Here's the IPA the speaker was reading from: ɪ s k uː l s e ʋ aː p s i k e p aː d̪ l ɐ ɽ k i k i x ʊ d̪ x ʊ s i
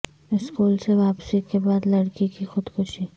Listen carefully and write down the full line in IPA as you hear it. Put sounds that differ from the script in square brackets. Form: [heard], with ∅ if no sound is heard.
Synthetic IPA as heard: ɪ s k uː l s e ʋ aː p s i k e [b] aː d̪ l ɐ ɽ k i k i x ʊ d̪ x ʊ [ʃ] i